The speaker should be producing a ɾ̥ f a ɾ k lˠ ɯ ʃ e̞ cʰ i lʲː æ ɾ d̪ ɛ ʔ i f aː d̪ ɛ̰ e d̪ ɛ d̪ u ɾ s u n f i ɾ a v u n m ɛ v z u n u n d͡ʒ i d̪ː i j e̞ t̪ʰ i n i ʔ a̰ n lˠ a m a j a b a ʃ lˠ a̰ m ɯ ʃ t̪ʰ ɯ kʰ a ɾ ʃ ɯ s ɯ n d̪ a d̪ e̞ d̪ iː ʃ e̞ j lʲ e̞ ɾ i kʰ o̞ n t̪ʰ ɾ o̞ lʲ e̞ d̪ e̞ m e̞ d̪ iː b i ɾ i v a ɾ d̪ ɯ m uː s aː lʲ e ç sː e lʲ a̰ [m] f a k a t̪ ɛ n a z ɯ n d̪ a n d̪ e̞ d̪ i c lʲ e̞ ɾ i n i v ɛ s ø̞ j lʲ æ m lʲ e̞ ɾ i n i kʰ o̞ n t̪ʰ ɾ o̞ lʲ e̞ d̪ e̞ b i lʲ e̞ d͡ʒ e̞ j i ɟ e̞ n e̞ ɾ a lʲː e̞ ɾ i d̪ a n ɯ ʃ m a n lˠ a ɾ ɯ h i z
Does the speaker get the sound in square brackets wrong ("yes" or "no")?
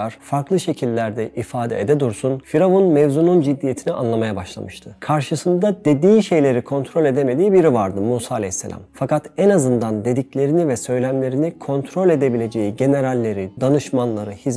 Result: no